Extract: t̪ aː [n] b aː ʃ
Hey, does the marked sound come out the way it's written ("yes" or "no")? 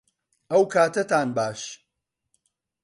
yes